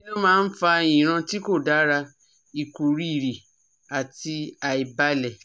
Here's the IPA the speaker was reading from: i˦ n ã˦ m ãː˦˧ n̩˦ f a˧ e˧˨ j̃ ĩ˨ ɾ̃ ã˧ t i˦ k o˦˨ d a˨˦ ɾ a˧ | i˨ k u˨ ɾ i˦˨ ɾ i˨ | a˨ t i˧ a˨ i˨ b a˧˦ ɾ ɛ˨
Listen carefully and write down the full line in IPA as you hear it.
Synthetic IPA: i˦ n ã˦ m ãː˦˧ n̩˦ f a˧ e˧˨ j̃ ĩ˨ ɾ̃ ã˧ t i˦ k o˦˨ d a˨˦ ɾ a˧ | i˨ k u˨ ɾ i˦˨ ɾ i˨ | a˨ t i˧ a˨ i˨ b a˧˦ l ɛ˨